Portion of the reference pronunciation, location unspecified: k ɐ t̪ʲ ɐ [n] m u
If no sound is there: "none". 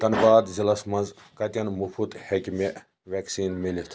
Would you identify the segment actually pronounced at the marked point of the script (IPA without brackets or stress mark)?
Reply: n